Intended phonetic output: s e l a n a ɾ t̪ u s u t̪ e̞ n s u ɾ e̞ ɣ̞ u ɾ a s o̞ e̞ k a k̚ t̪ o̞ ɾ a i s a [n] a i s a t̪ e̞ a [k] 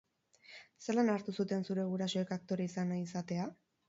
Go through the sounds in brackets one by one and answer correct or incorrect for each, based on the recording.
correct, incorrect: none

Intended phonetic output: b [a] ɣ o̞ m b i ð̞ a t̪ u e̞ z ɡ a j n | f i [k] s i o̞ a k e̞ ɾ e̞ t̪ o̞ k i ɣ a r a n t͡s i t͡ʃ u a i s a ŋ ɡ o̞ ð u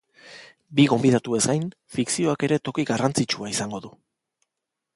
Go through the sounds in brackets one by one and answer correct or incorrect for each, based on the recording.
incorrect: i, correct

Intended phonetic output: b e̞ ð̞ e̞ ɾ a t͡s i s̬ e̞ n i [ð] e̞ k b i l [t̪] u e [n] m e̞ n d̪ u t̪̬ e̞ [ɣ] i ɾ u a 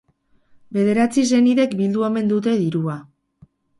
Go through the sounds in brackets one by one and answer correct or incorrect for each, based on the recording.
correct, incorrect: d̪, incorrect: none, incorrect: ð

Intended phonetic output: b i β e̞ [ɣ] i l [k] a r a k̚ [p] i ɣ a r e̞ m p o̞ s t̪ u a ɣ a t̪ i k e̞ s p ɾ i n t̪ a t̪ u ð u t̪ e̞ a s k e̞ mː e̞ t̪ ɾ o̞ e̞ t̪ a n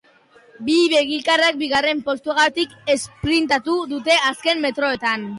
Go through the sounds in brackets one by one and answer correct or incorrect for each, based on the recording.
correct, correct, incorrect: b

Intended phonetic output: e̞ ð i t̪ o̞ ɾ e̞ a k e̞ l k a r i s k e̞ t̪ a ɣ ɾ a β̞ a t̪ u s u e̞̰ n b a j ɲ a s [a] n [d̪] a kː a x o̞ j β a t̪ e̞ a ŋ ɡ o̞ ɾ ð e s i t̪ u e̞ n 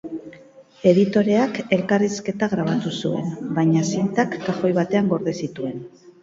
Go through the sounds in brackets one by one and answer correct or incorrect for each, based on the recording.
incorrect: i, incorrect: t̪

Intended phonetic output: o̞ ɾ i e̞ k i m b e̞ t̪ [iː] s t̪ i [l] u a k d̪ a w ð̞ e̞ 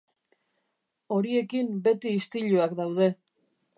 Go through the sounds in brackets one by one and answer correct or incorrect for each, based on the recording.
correct, incorrect: ʎ

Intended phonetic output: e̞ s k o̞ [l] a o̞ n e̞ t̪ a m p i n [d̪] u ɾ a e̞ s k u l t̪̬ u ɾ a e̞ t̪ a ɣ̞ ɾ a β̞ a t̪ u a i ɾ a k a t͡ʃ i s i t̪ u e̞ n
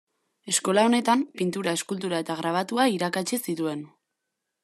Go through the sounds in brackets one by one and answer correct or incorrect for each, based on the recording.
correct, incorrect: t̪

